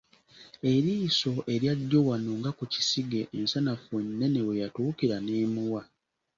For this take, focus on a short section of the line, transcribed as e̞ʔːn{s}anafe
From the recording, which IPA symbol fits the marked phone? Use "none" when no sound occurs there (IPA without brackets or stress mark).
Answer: s